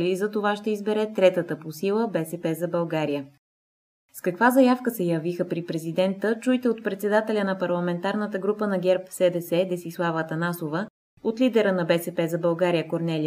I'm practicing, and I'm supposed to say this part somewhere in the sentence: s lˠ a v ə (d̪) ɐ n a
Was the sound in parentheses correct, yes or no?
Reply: no